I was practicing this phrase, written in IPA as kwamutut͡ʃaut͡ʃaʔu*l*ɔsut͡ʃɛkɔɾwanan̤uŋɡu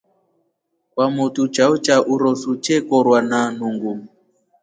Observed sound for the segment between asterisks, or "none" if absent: ɾ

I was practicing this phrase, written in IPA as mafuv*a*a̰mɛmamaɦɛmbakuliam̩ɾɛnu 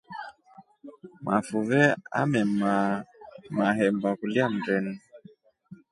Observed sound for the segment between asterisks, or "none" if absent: ɛ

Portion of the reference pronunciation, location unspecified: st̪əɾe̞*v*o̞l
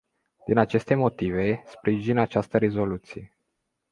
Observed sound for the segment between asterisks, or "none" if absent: z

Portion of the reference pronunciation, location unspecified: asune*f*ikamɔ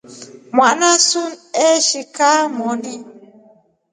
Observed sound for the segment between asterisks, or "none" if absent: ʃ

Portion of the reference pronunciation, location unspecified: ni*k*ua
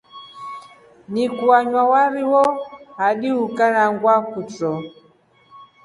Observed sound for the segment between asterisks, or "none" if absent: k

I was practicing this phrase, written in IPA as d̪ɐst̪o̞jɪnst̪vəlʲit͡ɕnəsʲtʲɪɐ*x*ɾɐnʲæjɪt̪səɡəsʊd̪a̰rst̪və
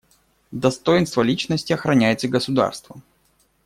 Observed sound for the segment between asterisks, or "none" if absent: x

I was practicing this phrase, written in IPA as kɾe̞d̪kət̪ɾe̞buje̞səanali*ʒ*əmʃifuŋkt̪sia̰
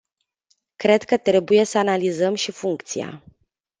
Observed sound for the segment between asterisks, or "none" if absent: z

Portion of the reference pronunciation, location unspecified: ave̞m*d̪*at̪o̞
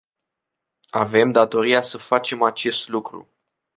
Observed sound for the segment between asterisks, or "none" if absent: d̪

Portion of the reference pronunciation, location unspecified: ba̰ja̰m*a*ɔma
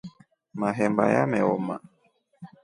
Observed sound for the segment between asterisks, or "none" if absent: ɛ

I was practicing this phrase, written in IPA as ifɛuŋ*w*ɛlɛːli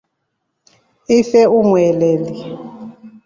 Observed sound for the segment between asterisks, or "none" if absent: w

